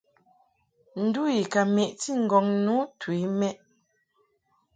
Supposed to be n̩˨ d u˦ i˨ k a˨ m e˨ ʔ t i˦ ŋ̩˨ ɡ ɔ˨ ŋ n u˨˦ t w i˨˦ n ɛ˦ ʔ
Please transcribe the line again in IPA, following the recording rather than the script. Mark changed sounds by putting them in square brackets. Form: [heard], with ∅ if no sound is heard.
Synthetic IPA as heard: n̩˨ d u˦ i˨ k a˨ m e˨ ʔ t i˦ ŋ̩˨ ɡ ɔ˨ ŋ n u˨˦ t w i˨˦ [m] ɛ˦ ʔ